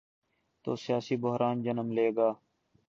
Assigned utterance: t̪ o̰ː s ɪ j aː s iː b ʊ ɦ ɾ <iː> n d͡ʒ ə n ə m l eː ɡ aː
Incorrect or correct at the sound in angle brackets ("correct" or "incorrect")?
incorrect